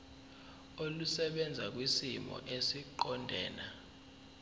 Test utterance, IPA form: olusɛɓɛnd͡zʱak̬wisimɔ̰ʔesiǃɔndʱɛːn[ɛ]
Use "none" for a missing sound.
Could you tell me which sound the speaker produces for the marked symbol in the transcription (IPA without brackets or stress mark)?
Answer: a